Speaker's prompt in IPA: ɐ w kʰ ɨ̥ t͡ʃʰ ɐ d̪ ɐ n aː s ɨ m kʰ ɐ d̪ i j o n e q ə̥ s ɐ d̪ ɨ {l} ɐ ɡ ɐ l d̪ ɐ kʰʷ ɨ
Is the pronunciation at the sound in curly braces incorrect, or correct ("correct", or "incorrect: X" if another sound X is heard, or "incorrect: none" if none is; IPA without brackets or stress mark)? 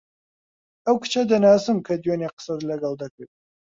correct